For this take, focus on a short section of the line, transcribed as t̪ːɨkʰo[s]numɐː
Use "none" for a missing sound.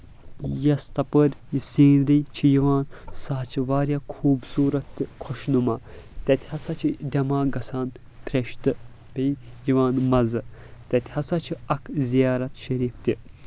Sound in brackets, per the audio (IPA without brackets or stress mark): ʃ